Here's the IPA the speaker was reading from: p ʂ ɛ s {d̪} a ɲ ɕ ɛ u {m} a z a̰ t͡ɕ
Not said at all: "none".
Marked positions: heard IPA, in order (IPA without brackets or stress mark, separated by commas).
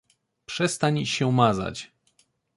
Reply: t̪, m